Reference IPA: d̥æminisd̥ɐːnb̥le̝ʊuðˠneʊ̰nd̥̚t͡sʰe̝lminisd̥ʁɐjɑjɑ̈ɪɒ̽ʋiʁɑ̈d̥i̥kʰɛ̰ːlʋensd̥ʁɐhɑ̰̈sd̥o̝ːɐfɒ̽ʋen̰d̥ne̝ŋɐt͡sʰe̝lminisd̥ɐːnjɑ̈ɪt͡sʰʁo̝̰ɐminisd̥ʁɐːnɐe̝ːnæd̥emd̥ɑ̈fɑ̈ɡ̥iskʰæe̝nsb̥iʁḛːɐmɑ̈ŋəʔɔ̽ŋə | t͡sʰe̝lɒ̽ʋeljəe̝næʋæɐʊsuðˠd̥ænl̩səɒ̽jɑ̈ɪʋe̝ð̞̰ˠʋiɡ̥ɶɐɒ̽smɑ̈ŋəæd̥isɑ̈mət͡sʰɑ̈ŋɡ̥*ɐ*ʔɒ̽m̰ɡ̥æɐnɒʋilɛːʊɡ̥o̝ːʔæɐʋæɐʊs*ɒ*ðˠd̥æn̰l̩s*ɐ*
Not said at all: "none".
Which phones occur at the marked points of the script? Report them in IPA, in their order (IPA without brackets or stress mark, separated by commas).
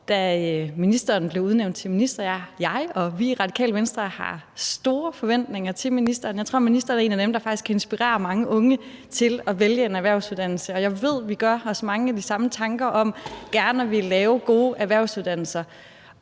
ɐ, u, ɐ